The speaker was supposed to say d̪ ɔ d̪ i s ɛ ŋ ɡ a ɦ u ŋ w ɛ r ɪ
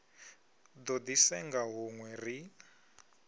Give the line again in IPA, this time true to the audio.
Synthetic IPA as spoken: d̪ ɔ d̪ i s ɛ ŋ ɡ a ɦ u ŋ w ɛ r i